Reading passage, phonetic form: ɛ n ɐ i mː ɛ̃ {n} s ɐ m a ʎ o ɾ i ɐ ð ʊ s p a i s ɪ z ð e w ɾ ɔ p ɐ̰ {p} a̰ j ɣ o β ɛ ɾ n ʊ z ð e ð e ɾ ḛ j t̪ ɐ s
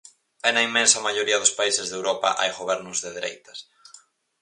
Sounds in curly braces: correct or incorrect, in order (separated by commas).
correct, incorrect